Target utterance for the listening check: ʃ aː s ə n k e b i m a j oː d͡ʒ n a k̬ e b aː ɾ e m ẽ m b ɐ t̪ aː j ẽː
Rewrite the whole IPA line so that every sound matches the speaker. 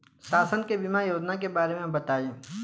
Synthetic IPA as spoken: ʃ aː s ə n k e b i m a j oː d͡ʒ n a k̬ e b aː ɾ e m ẽ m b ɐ t̪ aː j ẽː